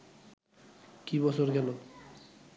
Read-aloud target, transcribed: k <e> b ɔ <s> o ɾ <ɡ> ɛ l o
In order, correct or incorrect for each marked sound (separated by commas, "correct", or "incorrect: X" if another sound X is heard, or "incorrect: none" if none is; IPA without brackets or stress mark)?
incorrect: i, correct, correct